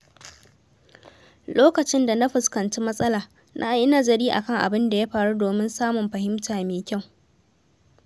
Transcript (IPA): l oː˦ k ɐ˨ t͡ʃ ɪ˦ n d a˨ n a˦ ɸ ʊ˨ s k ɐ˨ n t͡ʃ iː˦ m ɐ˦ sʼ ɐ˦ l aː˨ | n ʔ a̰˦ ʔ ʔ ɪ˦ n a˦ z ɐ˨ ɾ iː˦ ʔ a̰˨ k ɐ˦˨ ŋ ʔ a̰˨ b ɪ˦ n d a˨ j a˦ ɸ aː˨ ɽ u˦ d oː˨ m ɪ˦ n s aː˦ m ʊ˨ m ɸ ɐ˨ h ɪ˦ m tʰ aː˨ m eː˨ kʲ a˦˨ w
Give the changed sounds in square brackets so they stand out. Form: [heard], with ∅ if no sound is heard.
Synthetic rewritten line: l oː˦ k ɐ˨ t͡ʃ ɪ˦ n d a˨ n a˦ ɸ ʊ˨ s k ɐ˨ n t͡ʃ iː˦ m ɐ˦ sʼ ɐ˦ l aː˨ | n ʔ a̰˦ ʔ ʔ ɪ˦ n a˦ z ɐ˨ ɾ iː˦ ʔ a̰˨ k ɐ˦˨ ŋ ʔ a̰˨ b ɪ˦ n d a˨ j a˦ ɸ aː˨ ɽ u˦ d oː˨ m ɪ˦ n s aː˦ m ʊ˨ m ɸ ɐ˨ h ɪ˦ m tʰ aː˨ m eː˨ kʲ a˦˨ w

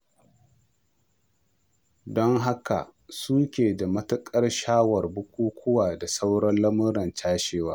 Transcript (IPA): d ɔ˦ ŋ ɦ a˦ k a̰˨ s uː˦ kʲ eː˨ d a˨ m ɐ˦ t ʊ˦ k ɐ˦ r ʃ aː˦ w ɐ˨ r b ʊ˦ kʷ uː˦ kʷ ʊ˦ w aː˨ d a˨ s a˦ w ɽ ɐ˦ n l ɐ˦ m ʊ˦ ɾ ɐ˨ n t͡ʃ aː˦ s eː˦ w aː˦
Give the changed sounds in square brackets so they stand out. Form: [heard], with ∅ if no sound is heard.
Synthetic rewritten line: d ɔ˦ ŋ ɦ a˦ k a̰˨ s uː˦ kʲ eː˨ d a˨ m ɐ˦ t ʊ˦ [kʼ] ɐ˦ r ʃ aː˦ w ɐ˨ r b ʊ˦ kʷ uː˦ kʷ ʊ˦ w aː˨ d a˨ s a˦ w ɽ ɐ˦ n l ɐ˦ m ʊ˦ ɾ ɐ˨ n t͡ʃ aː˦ [ʃ] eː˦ w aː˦

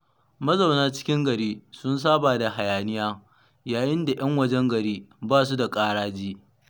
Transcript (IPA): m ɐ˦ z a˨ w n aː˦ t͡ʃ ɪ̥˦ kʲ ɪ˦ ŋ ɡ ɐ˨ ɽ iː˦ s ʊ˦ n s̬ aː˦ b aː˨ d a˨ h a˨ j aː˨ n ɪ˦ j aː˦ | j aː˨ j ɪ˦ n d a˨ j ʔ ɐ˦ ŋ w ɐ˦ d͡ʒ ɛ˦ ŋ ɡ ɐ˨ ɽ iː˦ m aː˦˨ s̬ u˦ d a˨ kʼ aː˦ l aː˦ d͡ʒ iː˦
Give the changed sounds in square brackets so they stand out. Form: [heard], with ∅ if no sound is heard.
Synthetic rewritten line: m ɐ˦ z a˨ w n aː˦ t͡ʃ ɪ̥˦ kʲ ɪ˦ ŋ ɡ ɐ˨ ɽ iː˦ s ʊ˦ n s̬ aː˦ b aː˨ d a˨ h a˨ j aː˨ n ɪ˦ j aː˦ | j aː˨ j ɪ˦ n d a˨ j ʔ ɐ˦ ŋ w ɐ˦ d͡ʒ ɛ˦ ŋ ɡ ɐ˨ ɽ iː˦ [b] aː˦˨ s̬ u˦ d a˨ kʼ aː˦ [ɽ] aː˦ d͡ʒ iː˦

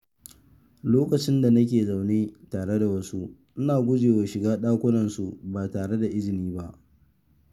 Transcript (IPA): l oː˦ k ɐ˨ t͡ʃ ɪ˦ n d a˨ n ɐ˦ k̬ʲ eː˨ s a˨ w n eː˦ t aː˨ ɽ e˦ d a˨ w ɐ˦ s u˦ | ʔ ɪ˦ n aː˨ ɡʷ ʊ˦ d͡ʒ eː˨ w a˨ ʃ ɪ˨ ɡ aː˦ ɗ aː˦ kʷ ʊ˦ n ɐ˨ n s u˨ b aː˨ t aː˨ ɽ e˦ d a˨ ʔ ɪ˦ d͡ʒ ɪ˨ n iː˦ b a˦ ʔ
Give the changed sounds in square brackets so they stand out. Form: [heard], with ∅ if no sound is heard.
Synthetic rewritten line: l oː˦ k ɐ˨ t͡ʃ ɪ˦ n d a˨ n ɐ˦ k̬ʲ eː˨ [z] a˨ w n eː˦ t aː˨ ɽ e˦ d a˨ w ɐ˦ s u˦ | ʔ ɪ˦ n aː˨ ɡʷ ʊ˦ d͡ʒ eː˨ w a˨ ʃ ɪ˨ ɡ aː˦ ɗ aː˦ kʷ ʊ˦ n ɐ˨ n s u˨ b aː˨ t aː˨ ɽ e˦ d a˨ ʔ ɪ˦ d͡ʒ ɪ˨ n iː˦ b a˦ ʔ

